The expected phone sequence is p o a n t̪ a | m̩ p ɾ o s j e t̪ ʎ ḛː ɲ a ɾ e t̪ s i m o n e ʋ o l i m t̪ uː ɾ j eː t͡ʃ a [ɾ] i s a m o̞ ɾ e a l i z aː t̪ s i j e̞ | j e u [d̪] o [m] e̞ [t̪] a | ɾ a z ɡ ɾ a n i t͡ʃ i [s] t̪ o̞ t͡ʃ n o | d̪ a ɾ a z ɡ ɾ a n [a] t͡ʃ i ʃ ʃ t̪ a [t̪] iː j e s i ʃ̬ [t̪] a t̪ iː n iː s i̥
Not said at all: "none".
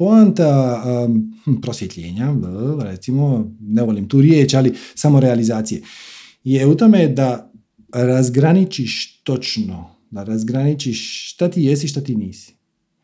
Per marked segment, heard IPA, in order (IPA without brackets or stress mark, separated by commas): l, t̪, m, d̪, ʃ, i, t̪, t̪